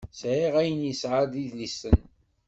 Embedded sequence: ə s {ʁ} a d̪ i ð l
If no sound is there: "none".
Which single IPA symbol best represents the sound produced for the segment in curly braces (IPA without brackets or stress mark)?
ʕ